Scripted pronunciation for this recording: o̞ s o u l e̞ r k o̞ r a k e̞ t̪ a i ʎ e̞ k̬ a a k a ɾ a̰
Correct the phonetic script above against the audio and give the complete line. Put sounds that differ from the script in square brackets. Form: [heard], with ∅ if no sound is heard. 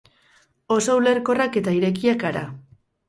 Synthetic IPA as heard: o̞ s o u l e̞ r k o̞ r a k e̞ t̪ a i [ɾ] e̞ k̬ [i] a k a ɾ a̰